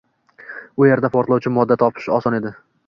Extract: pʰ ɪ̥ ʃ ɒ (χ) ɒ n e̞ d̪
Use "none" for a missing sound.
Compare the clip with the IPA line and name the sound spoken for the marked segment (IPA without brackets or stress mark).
s